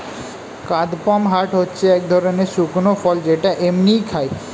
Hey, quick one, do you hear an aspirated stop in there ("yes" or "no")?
yes